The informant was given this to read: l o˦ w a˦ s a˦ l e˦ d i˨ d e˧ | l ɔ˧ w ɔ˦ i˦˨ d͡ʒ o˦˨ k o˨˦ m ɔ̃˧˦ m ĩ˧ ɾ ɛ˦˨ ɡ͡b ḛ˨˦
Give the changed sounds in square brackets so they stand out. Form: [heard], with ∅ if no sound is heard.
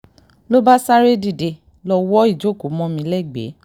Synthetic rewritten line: l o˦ [b] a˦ s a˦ [ɾ] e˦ d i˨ d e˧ | l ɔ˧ w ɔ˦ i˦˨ d͡ʒ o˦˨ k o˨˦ m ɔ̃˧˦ m ĩ˧ [l] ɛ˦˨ ɡ͡b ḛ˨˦